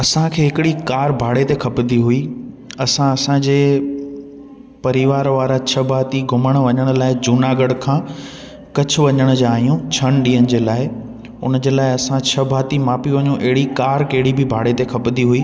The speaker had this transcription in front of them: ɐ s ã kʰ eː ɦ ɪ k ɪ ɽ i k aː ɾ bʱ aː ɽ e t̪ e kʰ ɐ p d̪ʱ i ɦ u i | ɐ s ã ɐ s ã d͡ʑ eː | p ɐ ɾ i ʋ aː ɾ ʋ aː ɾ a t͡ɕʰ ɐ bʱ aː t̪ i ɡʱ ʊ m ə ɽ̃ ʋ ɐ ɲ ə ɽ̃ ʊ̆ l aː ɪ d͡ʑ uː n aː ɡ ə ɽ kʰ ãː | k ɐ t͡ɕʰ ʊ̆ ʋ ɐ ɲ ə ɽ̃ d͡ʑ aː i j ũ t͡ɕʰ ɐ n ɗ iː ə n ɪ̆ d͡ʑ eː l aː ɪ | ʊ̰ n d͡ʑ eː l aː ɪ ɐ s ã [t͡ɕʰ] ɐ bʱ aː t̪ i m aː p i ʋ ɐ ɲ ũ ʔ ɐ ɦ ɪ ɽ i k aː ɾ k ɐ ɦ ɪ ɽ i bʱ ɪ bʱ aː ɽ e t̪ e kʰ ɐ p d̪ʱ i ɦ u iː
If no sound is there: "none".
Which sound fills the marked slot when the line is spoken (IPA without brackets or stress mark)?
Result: t͡ɕʰ